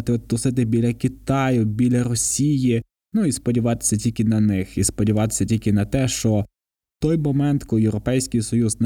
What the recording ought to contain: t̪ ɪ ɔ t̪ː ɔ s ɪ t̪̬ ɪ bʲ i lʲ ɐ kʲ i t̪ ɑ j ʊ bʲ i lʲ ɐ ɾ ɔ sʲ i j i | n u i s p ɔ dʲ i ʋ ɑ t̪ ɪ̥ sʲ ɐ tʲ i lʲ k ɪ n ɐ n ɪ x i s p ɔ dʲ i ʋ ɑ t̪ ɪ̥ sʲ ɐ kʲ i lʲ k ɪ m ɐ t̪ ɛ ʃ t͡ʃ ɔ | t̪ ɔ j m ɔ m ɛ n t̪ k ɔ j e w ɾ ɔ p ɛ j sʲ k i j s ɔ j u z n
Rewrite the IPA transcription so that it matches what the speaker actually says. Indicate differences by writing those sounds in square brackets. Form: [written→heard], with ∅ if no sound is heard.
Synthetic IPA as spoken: t̪ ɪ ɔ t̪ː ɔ s ɪ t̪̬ ɪ bʲ i lʲ ɐ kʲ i t̪ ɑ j ʊ bʲ i lʲ ɐ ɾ ɔ sʲ i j i | n u i s p ɔ dʲ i ʋ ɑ t̪ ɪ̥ sʲ ɐ tʲ i lʲ k ɪ n ɐ n ɪ x i s p ɔ dʲ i ʋ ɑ t̪ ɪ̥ sʲ ɐ [kʲ→tʲ] i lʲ k ɪ [m→n] ɐ t̪ ɛ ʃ t͡ʃ ɔ | t̪ ɔ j m ɔ m ɛ n t̪ k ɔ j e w ɾ ɔ p ɛ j sʲ k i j s ɔ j u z n